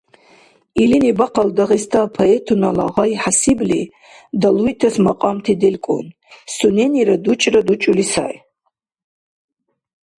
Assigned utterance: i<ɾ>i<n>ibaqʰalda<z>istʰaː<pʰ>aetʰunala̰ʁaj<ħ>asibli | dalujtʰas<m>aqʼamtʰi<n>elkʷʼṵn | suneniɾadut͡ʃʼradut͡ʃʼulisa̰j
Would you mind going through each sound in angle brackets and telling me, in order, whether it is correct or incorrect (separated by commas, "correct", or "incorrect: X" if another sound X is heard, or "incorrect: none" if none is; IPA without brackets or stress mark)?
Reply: incorrect: l, correct, incorrect: ʁ, correct, correct, correct, incorrect: d